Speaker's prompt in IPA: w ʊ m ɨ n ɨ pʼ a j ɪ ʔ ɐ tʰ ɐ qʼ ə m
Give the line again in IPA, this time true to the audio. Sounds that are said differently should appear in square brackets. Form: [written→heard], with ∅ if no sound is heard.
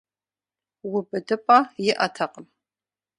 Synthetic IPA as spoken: w ʊ [m→b] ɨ [n→d] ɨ pʼ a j ɪ ʔ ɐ tʰ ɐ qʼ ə m

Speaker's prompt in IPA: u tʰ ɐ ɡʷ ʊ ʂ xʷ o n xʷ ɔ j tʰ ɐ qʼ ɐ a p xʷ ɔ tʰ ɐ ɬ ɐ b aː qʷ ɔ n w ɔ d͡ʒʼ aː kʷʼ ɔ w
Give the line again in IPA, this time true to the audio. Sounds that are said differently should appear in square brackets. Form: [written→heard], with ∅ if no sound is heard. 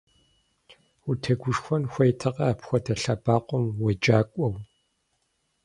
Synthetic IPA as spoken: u tʰ ɐ ɡʷ ʊ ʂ xʷ [o→ɔ] n xʷ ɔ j tʰ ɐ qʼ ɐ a p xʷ ɔ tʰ ɐ ɬ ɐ b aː qʷ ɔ [n→m] w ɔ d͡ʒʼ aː kʷʼ ɔ w

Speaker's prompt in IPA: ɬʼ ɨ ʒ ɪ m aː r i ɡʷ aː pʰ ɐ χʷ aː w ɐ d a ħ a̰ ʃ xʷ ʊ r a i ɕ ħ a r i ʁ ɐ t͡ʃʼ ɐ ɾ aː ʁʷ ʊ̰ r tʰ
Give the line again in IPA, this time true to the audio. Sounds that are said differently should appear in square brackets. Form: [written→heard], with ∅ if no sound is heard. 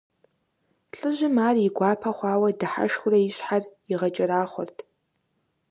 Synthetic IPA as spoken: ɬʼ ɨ ʒ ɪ m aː r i ɡʷ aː pʰ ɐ χʷ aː w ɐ d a ħ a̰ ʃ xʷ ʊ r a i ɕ ħ a r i ʁ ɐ t͡ʃʼ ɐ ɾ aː [ʁʷ→χʷ] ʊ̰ r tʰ

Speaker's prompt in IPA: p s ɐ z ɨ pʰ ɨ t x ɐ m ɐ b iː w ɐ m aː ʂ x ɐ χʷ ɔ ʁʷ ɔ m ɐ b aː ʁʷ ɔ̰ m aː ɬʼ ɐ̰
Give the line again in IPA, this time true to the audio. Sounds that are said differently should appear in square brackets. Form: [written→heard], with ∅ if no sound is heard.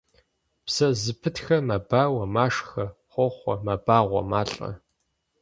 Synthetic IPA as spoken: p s ɐ z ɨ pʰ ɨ t x ɐ m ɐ b [iː→aː] w ɐ m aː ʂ x ɐ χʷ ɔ [ʁʷ→χʷ] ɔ m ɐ b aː ʁʷ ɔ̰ m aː ɬʼ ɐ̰

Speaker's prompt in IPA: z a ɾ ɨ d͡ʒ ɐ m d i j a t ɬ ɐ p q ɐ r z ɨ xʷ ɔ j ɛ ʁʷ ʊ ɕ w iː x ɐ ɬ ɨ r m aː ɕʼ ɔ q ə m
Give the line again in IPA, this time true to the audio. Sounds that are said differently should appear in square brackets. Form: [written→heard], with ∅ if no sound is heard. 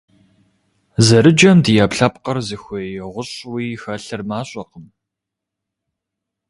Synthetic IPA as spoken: z [a→ɐ] ɾ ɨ d͡ʒ ɐ m d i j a [t→p] ɬ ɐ p q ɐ r z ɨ xʷ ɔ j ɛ ʁʷ ʊ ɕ w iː x ɐ ɬ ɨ r m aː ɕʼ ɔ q ə m

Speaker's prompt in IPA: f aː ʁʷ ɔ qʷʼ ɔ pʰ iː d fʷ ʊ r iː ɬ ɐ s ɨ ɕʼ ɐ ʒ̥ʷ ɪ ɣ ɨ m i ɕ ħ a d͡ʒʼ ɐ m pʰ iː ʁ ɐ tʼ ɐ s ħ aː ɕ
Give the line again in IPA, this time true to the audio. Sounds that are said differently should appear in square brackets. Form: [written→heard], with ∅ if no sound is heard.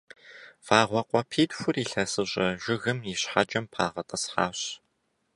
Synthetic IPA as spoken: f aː ʁʷ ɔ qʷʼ ɔ pʰ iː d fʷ ʊ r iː ɬ ɐ s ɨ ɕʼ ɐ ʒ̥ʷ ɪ ɣ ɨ m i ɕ ħ a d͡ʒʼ ɐ m pʰ [iː→aː] ʁ ɐ tʼ ɐ s ħ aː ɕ

